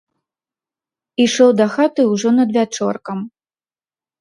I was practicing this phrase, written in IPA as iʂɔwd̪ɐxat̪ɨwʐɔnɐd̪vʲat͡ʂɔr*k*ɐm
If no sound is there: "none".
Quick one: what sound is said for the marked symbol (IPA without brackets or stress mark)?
k